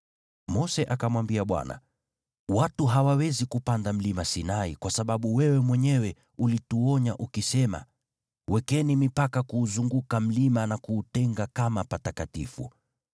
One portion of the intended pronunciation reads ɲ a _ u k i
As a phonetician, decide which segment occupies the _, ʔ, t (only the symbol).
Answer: ʔ